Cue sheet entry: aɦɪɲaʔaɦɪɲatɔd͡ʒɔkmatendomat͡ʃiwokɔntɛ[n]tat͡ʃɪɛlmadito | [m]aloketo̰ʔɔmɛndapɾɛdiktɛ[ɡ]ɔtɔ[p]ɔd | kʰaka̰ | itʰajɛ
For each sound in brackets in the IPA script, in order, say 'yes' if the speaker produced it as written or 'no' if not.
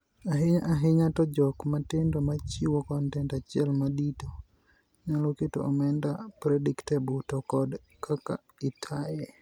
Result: yes, no, no, no

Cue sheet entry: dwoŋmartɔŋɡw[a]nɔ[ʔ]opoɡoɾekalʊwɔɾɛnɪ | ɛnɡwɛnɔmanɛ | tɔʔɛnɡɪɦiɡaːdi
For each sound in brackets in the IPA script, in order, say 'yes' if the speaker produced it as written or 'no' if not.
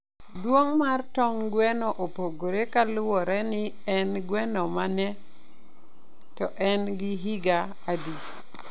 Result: no, yes

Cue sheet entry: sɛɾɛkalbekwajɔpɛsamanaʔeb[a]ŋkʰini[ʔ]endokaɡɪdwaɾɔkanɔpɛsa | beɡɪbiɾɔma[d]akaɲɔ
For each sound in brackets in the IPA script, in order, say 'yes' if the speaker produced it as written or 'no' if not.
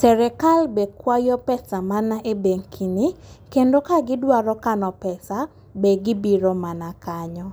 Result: no, no, no

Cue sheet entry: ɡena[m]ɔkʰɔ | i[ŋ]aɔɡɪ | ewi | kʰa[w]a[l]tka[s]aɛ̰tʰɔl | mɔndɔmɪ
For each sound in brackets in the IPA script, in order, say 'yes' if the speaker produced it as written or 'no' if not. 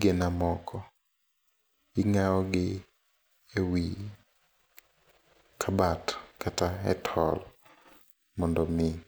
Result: yes, yes, no, no, no

